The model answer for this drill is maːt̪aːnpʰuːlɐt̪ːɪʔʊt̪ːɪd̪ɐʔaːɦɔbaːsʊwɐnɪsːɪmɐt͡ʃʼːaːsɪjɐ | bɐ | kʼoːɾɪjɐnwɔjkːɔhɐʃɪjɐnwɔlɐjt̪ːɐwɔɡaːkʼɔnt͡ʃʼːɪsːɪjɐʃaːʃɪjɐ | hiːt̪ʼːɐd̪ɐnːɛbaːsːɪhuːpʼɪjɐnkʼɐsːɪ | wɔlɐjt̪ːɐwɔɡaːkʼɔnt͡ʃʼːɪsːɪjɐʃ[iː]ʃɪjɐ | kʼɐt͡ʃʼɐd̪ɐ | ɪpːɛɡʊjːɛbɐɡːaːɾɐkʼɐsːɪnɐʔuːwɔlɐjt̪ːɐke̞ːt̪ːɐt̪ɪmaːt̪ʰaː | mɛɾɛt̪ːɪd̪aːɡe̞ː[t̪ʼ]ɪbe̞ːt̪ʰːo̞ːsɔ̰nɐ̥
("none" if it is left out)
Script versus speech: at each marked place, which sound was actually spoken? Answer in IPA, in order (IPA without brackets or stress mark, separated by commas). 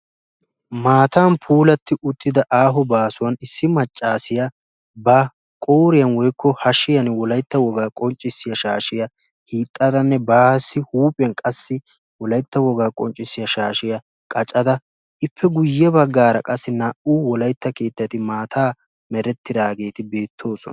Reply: aː, t̪